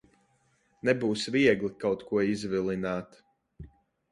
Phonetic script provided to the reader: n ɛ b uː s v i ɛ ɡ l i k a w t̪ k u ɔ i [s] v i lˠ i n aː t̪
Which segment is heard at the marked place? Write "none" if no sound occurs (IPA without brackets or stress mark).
z